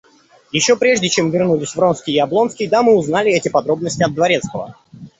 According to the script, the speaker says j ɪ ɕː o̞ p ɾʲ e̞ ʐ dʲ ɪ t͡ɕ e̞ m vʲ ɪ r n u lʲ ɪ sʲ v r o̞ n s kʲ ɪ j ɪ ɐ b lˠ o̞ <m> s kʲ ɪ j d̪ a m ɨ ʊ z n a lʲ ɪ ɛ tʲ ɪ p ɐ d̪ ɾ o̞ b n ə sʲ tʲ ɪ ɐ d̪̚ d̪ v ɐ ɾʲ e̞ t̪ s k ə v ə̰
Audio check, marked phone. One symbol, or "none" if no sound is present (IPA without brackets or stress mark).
n